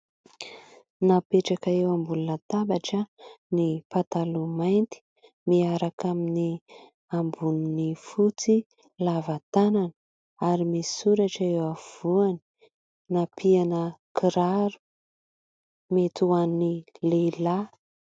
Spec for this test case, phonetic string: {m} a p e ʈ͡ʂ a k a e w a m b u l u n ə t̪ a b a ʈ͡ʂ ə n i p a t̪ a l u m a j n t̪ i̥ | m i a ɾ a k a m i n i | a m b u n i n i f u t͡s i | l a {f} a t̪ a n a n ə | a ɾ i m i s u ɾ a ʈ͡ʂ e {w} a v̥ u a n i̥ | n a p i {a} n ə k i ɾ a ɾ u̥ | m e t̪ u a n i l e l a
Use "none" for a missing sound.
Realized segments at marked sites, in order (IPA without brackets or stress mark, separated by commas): n, v, w, a